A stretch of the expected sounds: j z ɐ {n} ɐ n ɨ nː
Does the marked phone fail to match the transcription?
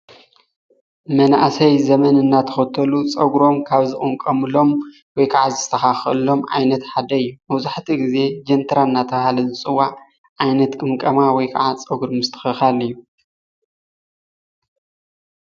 yes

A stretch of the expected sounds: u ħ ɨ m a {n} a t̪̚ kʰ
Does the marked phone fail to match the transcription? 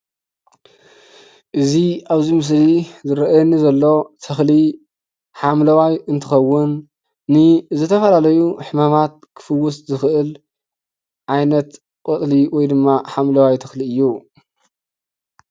yes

